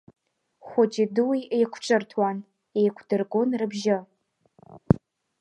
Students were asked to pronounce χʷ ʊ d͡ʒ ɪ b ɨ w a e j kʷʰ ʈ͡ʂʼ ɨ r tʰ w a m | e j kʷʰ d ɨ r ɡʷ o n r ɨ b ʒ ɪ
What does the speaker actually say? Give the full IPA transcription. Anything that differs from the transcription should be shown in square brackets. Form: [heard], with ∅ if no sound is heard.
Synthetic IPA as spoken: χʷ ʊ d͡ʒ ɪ [d] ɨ w [i] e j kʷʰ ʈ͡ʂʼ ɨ r tʰ w a [n] | e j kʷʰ d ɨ r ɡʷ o n r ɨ b ʒ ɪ